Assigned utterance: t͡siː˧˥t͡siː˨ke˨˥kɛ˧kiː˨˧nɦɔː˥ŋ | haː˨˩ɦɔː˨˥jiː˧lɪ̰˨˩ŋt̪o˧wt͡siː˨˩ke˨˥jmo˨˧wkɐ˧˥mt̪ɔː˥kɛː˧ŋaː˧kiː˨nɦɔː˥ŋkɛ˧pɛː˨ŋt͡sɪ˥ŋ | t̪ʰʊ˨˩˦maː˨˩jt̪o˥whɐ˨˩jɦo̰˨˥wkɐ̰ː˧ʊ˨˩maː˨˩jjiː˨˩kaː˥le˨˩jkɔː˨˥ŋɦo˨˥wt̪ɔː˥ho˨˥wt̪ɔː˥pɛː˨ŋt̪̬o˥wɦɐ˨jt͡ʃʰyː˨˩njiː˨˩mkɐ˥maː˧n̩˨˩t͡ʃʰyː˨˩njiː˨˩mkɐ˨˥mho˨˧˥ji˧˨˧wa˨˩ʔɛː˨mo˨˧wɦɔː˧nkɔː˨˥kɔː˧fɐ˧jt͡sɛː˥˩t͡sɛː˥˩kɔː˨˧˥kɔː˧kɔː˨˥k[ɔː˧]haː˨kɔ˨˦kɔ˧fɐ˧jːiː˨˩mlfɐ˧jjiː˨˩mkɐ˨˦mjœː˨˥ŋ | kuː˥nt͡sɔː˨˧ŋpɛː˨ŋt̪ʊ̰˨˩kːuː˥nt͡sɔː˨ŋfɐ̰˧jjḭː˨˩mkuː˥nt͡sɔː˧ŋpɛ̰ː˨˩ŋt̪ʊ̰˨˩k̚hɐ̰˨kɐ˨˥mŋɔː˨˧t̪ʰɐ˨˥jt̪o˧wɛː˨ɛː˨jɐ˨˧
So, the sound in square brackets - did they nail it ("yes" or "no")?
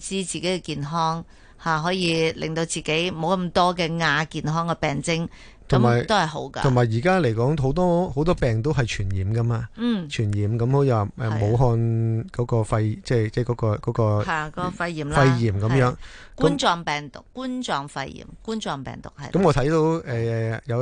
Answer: yes